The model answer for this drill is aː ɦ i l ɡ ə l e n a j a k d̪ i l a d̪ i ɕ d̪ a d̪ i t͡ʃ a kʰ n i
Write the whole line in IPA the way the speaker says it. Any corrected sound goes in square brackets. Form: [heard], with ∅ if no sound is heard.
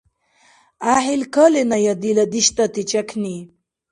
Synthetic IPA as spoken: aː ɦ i l [k] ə l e n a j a [∅] d̪ i l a d̪ i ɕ [t̪] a [t̪] i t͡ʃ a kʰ n i